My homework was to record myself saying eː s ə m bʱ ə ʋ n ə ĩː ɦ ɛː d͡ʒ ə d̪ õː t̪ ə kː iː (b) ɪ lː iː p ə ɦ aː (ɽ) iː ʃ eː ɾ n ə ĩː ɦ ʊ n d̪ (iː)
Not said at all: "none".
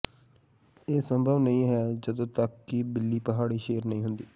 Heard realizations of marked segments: b, ɽ, iː

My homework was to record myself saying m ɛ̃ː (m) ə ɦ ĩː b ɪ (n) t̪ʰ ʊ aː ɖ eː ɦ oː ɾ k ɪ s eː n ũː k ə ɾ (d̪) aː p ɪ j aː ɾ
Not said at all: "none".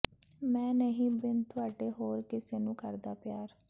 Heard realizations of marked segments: n, n, d̪

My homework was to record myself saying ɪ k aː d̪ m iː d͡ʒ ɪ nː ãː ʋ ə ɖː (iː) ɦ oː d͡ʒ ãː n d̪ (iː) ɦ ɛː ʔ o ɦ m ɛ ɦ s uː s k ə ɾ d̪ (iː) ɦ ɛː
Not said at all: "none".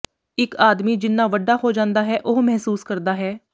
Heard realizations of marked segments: aː, aː, aː

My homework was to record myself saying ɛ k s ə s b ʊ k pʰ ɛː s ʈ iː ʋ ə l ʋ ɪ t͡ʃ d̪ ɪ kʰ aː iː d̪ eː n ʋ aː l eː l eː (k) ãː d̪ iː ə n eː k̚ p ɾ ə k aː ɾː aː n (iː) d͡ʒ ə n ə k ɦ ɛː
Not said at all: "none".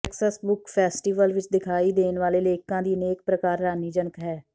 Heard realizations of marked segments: k, iː

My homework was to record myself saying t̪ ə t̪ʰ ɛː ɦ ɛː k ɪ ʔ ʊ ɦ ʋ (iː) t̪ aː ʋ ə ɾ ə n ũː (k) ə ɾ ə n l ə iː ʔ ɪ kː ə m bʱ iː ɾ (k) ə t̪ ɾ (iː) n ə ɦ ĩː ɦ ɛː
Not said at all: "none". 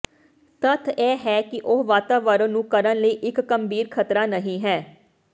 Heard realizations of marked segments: aː, k, kʰ, aː

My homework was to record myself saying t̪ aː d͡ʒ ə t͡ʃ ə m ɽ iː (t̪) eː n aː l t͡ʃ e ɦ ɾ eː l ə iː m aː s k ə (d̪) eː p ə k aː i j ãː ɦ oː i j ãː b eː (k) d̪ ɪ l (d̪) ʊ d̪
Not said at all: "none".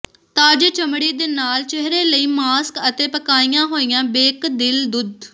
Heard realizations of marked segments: d̪, t̪, k, d̪

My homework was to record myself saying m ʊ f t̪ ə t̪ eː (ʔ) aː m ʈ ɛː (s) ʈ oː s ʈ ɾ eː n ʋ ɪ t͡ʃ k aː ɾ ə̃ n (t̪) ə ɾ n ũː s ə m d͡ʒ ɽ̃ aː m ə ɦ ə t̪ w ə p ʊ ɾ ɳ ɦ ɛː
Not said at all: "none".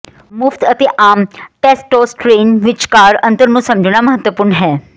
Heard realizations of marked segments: ʔ, s, t̪

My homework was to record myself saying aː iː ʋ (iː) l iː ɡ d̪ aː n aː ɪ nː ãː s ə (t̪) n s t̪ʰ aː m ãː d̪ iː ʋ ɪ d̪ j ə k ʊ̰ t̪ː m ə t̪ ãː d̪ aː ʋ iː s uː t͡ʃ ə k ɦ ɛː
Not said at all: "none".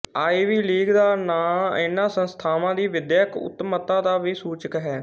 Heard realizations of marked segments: iː, none

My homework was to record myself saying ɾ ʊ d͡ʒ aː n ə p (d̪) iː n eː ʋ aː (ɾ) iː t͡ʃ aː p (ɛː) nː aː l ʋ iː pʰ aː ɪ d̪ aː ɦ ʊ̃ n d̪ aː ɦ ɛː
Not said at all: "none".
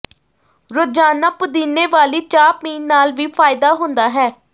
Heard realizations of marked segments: d̪, l, iː

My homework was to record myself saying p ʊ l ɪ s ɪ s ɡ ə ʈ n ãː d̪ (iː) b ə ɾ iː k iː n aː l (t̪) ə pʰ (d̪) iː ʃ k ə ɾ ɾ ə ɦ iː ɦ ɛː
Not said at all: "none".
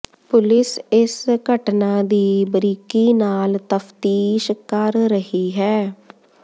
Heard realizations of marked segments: iː, t̪, t̪

